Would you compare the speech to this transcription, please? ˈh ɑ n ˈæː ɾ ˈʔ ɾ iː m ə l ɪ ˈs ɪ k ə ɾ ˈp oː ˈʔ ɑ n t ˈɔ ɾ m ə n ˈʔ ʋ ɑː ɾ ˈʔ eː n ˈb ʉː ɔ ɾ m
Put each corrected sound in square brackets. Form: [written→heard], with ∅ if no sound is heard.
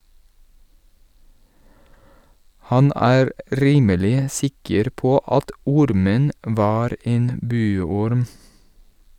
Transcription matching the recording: ˈh ɑ n ˈæː ɾ ˈʔ ɾ iː m ə l ɪ ˈs ɪ k ə ɾ ˈp oː ˈʔ ɑ [n→∅] t ˈɔ ɾ m ə n ˈʔ ʋ ɑː ɾ ˈʔ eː n ˈb ʉː ɔ ɾ m